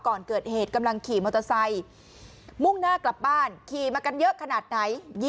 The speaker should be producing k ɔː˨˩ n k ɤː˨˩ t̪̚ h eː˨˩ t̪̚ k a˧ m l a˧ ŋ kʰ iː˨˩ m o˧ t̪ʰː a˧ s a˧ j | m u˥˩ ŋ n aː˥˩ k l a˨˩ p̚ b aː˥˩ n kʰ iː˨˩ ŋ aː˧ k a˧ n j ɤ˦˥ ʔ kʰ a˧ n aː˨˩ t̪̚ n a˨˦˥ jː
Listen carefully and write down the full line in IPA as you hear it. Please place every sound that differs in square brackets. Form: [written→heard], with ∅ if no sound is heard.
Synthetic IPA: k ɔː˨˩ n k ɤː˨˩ t̪̚ h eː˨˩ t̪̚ k a˧ m l a˧ ŋ kʰ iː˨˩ m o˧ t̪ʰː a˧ s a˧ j | m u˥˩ ŋ n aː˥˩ k l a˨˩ p̚ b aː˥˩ n kʰ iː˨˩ [ŋ→m] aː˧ k a˧ n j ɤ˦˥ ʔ kʰ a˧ n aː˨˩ t̪̚ n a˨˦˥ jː

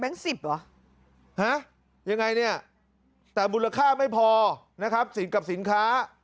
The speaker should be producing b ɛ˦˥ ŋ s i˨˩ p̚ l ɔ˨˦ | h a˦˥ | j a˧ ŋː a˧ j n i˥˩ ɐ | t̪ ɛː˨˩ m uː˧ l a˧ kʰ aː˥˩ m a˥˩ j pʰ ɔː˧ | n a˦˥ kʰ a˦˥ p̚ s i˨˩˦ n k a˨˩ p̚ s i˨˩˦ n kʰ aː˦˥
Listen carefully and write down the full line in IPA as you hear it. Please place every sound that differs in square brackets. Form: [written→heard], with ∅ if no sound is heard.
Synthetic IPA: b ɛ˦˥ ŋ s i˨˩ p̚ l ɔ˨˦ | h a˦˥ | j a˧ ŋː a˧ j n i˥˩ ɐ | t̪ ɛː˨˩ m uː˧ l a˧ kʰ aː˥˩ m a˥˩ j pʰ ɔː˧ | n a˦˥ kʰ a˦˥ p̚ s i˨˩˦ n k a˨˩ p̚ s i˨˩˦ n kʰ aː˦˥

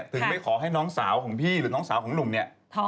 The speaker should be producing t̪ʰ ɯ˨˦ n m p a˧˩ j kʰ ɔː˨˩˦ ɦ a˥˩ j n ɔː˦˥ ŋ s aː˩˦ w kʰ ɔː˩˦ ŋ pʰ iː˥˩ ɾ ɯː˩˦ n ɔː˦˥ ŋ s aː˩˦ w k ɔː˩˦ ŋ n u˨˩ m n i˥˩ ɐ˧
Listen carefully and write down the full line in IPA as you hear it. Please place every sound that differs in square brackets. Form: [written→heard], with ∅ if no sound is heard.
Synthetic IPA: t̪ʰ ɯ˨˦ [n→ŋ] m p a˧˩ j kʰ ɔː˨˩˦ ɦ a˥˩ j n ɔː˦˥ ŋ s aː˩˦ w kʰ ɔː˩˦ ŋ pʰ iː˥˩ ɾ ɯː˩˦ n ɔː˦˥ ŋ s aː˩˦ w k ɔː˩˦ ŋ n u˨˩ m n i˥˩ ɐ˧

